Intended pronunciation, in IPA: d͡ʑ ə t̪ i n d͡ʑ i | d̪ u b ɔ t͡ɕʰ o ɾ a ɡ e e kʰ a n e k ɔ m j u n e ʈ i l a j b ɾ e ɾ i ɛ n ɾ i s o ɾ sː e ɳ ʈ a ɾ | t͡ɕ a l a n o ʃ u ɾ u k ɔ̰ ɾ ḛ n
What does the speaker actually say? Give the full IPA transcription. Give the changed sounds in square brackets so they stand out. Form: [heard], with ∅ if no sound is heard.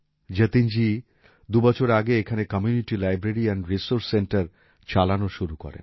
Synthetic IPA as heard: d͡ʑ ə t̪ i n d͡ʑ i | d̪ u b ɔ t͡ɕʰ o ɾ a ɡ e e kʰ a n e k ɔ m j u n [i] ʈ i l a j b ɾ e ɾ i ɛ n ɾ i s o ɾ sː e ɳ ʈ a ɾ | t͡ɕ a l a n o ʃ u ɾ u k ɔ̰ ɾ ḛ n